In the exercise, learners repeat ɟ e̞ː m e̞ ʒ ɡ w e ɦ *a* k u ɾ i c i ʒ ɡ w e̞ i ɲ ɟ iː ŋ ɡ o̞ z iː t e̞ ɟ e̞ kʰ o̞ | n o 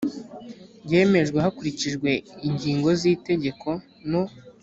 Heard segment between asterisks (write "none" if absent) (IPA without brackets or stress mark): a